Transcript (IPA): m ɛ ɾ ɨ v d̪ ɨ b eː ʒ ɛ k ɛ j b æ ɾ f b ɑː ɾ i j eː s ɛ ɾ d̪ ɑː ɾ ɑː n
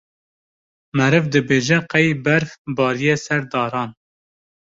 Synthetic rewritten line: m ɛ ɾ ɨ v d̪ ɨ b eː ʒ ɛ q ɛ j b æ ɾ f b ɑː ɾ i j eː s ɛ ɾ d̪ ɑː ɾ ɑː n